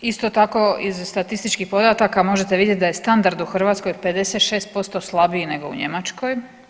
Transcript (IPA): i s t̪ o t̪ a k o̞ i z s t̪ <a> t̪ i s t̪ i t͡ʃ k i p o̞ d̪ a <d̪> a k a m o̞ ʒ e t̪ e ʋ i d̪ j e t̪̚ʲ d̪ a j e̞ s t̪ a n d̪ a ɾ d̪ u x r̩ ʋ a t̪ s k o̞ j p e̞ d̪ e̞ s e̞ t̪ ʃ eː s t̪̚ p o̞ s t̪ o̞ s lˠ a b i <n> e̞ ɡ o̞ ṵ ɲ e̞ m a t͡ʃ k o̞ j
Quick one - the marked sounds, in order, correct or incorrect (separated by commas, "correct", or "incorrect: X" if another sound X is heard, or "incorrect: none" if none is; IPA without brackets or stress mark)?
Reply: correct, incorrect: t̪, correct